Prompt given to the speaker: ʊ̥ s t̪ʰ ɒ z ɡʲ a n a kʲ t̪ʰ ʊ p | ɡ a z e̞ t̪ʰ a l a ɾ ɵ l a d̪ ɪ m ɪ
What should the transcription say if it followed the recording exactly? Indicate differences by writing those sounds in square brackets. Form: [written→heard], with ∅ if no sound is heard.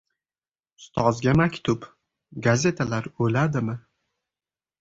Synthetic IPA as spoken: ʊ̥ s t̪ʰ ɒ z ɡʲ a [n→m] a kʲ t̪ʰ ʊ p | ɡ a z e̞ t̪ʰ a l a ɾ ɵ l a d̪ ɪ m ɪ